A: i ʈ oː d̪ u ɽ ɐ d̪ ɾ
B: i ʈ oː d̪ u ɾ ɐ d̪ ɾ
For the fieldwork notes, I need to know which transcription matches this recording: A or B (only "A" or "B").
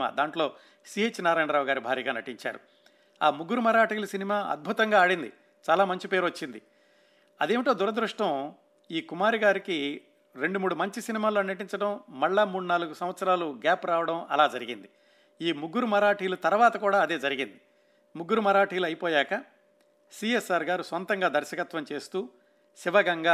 B